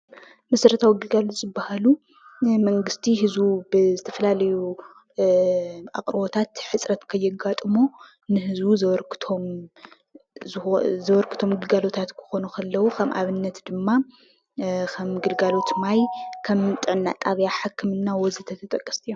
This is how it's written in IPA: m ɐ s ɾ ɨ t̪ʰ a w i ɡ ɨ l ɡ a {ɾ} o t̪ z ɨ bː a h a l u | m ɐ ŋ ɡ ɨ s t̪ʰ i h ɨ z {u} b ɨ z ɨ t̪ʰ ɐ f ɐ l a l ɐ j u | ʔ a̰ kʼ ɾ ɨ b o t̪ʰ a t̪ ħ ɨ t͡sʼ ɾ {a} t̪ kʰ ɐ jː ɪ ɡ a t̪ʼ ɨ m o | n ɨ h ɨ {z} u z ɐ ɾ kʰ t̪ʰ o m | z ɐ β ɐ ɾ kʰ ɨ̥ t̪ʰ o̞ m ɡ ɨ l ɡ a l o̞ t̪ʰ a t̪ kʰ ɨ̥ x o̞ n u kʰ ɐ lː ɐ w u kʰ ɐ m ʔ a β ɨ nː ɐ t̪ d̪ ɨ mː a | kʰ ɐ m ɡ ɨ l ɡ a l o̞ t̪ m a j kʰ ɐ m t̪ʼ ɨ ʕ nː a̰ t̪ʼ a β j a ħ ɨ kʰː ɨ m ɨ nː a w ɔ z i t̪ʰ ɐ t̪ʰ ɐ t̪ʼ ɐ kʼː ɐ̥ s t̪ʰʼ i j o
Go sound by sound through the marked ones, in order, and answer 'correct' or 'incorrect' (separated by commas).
incorrect, correct, incorrect, correct